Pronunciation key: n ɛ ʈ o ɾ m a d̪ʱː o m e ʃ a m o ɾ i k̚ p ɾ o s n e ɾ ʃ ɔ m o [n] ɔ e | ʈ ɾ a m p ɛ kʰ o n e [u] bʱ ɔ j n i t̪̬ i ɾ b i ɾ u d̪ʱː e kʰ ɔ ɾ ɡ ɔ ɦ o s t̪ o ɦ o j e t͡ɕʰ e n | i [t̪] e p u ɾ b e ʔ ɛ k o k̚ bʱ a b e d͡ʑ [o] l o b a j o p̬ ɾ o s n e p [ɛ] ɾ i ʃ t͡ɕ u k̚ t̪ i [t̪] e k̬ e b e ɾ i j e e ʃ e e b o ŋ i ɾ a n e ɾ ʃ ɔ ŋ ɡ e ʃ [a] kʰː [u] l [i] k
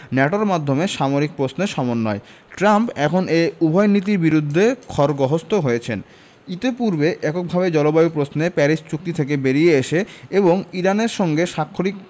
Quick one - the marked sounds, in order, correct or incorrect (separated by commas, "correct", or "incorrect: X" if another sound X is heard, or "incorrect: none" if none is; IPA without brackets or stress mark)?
incorrect: nː, correct, correct, incorrect: ɔ, correct, incorrect: t̪ʰ, correct, incorrect: o, correct